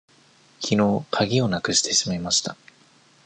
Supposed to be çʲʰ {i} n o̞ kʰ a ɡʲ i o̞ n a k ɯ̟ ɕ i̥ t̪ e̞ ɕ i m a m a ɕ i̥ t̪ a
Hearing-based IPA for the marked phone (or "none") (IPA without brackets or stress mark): i